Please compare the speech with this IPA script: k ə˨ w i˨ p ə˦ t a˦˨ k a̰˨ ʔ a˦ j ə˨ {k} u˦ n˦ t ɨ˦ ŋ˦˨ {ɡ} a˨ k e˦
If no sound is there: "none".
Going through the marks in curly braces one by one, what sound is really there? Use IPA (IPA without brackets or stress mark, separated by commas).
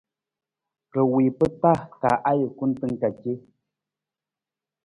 k, k